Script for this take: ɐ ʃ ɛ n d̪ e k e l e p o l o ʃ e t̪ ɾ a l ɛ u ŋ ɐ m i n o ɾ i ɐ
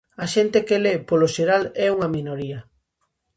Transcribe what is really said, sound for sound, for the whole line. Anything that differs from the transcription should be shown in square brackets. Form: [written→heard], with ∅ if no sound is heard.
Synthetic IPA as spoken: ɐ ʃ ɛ n [d̪→t̪] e k e l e p o l o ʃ e [t̪→∅] ɾ a l ɛ u ŋ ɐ m i n o ɾ i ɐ